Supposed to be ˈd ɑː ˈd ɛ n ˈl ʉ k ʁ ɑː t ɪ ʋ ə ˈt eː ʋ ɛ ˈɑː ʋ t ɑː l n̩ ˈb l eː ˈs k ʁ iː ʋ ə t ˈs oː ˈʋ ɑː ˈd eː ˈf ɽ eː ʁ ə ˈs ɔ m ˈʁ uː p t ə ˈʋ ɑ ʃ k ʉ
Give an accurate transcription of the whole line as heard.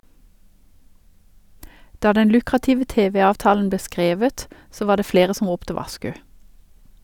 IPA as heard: ˈd ɑː ˈd ɛ n ˈl ʉ k ʁ ɑ t ɪ ʋ ə ˈt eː ʋ ɛ ˈɑː ʋ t ɑː l n̩ ˈb l eː ˈs k ʁ eː ʋ ə t ˈs oː ˈʋ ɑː ˈd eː ˈf ɽ eː ʁ ə ˈs ɔ m ˈʁ uː p t ə ˈʋ ɑ ʃ k ʉ